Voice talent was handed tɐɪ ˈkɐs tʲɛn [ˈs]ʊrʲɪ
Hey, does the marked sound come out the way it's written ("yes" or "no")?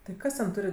no